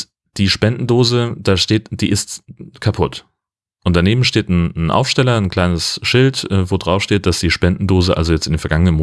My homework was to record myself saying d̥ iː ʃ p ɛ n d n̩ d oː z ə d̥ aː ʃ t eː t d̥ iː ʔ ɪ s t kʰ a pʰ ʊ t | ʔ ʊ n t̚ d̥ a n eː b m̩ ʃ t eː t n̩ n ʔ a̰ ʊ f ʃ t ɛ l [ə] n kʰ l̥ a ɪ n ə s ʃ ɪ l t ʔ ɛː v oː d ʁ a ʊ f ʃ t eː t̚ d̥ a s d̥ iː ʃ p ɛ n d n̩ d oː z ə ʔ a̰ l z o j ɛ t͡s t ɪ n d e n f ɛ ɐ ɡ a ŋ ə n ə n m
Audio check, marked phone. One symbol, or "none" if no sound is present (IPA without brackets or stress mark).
ɐ